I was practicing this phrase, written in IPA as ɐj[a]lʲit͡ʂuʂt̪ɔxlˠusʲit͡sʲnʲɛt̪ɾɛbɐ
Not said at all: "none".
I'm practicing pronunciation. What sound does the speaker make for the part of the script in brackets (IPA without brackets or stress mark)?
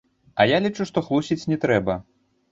a